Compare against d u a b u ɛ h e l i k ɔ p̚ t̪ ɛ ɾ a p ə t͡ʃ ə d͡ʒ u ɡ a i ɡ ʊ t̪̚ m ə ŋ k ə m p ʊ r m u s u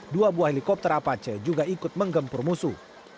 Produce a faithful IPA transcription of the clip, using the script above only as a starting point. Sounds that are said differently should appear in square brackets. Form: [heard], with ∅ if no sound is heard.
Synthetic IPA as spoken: d u a b u [a] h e l i k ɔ p̚ t̪ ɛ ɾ a p [a] t͡ʃ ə d͡ʒ u ɡ a i [k] ʊ t̪̚ m ə ŋ [ɡ] ə m p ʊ r m u s u

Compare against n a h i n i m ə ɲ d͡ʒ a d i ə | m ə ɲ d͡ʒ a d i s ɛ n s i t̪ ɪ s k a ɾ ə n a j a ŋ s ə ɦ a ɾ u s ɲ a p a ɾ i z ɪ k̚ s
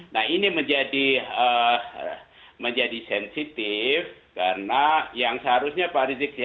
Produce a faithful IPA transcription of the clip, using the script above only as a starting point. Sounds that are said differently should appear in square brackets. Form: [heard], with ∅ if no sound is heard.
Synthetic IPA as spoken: n a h i n i m ə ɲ d͡ʒ a d i ə | m ə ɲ d͡ʒ a d i s ɛ n s i t̪ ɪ [f] k a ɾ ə n a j a ŋ s ə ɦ a ɾ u s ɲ a p a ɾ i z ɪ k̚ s

